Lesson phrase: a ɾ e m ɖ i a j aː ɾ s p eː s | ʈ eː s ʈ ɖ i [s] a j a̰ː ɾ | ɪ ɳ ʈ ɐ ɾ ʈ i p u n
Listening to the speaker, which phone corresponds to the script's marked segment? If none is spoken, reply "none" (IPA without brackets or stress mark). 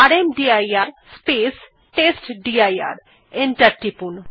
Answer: none